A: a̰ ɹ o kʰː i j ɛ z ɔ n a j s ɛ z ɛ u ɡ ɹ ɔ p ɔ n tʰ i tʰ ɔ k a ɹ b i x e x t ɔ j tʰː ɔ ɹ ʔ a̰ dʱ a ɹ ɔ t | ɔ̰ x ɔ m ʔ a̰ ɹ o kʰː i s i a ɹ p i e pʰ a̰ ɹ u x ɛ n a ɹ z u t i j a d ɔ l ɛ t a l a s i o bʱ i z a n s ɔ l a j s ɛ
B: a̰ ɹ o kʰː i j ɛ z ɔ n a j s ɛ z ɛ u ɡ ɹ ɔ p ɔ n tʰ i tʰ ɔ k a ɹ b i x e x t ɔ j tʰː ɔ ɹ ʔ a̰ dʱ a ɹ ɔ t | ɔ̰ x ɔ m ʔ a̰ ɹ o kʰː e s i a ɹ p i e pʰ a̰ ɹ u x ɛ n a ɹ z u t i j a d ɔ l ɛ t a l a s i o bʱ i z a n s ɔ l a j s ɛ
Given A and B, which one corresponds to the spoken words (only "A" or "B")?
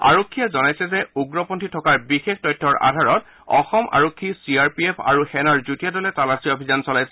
A